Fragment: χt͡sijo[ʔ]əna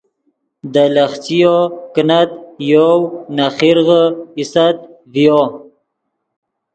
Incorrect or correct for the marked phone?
incorrect: k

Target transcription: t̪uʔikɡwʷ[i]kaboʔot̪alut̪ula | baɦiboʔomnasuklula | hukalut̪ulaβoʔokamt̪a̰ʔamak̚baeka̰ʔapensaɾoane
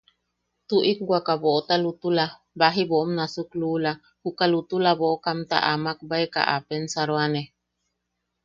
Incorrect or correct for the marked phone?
incorrect: a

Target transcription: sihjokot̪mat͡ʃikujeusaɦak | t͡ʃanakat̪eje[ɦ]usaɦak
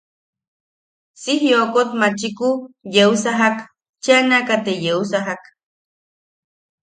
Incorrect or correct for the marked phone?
incorrect: none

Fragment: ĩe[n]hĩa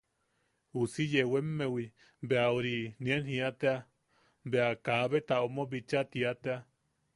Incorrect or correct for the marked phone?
correct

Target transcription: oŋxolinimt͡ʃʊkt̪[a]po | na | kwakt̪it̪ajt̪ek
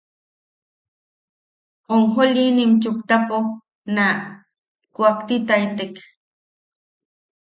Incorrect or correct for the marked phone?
correct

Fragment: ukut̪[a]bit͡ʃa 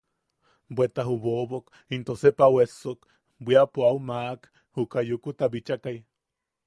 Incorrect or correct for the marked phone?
correct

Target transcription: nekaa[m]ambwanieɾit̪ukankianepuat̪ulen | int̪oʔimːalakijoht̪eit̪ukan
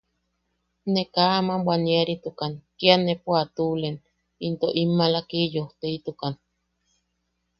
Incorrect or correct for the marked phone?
correct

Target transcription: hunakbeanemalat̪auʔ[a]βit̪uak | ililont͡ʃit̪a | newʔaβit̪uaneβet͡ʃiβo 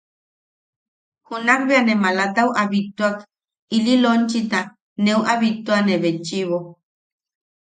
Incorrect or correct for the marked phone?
correct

